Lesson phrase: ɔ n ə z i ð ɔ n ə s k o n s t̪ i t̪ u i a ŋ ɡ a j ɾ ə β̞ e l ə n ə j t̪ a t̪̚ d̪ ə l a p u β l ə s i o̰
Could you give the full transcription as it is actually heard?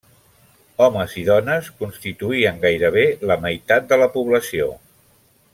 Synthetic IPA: ɔ m ə z i ð ɔ n ə s k u n s t̪ i t̪ u i ə ŋ ɡ a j ɾ ə β̞ e l ə m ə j t̪ a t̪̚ d̪ ə l ə p u β l ə s i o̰

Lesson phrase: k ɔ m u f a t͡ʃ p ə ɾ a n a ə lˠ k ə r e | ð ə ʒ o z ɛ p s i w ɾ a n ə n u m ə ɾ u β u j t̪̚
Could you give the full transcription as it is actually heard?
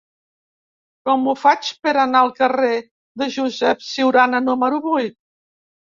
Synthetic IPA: k ɔ m u f a t͡ʃ p ə ɾ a n a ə lˠ k ə r e | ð ə ʒ u z ɛ p s i w ɾ a n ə n u m ə ɾ u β u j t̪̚

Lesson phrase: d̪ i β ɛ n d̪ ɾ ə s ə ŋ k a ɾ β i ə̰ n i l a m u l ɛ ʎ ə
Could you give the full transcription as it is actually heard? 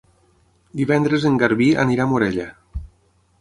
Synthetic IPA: d̪ i β ɛ n d̪ ɾ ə z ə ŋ ɡ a ɾ β i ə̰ n i ɾ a m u ɾ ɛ ʎ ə

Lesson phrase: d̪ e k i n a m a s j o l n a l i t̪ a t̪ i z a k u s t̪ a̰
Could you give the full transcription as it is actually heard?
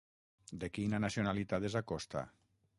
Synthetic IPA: d̪ e k i n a n a s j o n a l i t̪ a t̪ e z a k ɔ s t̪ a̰

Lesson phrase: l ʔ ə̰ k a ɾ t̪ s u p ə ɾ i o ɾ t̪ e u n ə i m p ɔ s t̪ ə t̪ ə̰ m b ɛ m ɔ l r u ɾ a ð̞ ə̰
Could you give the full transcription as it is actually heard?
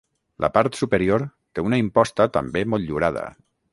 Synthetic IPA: l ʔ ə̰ p a ɾ t̪ s u p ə ɾ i o ɾ t̪ e u n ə i m p ɔ s t̪ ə t̪ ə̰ m b e m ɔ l ʎ u ɾ a ð̞ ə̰

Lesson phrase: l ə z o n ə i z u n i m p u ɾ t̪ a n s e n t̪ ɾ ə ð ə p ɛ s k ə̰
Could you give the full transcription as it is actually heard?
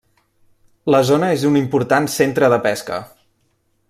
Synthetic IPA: l ə z o n ə e z u n i m p u ɾ t̪ a n s e n t̪ ɾ ə ð ə p ɛ s k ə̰

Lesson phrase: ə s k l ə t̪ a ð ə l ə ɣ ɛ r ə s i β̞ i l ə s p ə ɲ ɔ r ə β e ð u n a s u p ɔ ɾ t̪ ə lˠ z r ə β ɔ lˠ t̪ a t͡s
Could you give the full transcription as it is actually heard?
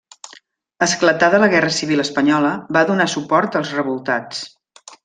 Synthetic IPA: ə s k l ə t̪ a ð ə l ə ɣ ɛ r ə s i β̞ i l ə s p ə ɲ ɔ l ə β a ð u n a s u p ɔ ɾ t̪ ə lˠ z r ə β u lˠ t̪ a t͡s

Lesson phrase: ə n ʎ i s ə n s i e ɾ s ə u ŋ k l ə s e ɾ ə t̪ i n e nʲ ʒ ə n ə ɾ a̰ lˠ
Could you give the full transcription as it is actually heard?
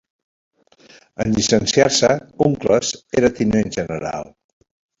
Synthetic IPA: ə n ʎ i s ə n s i a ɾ s ə u ŋ k l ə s e ɾ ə t̪ i n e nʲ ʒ ə n ə ɾ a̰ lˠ

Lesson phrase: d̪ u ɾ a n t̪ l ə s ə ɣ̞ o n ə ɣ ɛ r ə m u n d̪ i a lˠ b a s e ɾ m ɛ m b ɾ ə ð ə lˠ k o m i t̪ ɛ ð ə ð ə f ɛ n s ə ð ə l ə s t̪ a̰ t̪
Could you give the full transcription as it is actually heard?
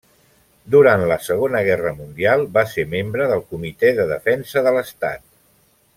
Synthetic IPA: d̪ u ɾ a n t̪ l ə s ə ɣ̞ o n ə ɣ ɛ r ə m u n d̪ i a lˠ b a s e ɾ m e m b ɾ ə ð ə lˠ k u m i t̪ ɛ ð ə ð ə f ɛ n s ə ð ə l ə s t̪ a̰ t̪

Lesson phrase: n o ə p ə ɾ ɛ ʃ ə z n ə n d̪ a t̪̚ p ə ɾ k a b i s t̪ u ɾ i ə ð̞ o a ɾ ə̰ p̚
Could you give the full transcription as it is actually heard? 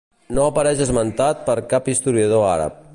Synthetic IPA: n o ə p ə ɾ ɛ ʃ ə z m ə n t̪ a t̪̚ p ə ɾ k a p i s t̪ u ɾ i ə ð̞ o a ɾ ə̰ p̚

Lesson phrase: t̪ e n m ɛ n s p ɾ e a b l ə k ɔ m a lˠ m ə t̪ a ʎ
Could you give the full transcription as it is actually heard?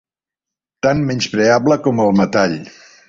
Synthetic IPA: t̪ a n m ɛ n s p ɾ e a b l ə k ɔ m ə lˠ m ə t̪ a ʎ

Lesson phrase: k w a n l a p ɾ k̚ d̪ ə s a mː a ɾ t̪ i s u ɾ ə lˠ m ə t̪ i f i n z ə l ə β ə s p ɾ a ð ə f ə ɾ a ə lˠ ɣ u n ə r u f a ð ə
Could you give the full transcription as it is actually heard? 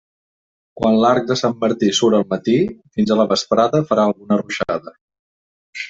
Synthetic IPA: k w a n l a ɾ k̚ d̪ ə s a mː ə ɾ t̪ i s u ɾ ə lˠ m ə t̪ i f i n z ə l ə β ə s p ɾ a ð ə f ə ɾ a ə lˠ ɣ u n ə r u ʃ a ð ə

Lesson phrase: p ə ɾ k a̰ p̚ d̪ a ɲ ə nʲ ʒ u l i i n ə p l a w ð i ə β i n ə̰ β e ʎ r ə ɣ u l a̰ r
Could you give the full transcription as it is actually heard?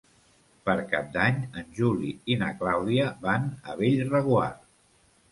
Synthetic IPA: p ə ɾ k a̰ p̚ d̪ a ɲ ə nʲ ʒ u l i i n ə k l a w ð i ə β a n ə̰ β e ʎ r ə ɣ u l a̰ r

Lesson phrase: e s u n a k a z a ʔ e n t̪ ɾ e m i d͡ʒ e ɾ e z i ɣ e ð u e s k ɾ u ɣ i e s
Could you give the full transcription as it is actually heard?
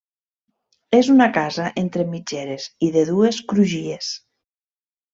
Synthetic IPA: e z u n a k a z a ʔ e n t̪ ɾ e m i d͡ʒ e ɾ e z i ð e ð u e s k ɾ u ʒ i e s

